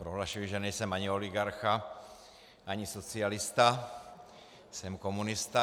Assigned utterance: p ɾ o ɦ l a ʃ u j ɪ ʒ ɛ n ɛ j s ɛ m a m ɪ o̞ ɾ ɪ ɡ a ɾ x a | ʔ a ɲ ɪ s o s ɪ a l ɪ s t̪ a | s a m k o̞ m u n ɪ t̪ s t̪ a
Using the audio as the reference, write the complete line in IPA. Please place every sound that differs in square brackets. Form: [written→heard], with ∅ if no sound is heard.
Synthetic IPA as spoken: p ɾ o ɦ l a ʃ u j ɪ ʒ ɛ n ɛ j s ɛ m a [m→ɲ] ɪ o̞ [ɾ→l] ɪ ɡ a ɾ x a | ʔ a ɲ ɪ s o [s→t͡s] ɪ a l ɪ s t̪ a | s [a→ɛ] m k o̞ m u n ɪ [t̪→∅] s t̪ a